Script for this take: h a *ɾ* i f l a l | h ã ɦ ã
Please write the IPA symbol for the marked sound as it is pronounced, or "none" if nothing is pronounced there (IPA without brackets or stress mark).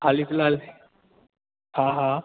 l